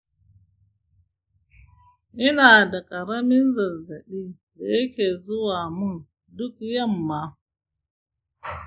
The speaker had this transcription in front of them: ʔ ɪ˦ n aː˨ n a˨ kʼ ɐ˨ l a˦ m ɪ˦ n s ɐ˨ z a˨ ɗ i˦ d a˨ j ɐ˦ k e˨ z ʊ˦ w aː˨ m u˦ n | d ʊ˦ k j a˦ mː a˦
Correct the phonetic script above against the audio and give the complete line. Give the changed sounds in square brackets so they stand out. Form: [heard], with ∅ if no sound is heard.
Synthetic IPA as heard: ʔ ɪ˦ n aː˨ [d] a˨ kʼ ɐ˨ [ɾ] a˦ m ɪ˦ n [z] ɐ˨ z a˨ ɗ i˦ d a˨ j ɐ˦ k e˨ z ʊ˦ w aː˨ m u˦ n | d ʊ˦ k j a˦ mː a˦